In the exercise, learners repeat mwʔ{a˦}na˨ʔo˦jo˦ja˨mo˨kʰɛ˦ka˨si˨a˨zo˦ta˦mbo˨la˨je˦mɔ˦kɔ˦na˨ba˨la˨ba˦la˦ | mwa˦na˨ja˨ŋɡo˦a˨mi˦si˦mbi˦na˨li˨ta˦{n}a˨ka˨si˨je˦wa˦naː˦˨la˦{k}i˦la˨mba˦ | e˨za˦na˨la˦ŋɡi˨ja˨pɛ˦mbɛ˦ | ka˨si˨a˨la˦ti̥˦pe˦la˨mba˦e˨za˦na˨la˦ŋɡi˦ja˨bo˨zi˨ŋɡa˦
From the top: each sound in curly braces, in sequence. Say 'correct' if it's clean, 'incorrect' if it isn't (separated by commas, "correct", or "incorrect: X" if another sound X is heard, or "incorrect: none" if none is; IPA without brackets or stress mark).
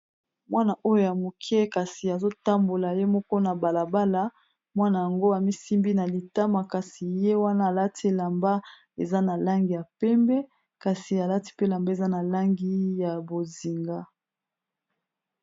correct, incorrect: m, incorrect: t